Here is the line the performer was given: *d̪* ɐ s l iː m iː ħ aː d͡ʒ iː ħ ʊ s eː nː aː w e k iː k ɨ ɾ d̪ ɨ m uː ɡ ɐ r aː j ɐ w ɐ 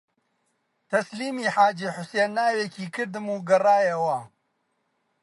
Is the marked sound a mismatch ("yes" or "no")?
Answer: yes